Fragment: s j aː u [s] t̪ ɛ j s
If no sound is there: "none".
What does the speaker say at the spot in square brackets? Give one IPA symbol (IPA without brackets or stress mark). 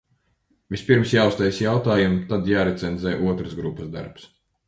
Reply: s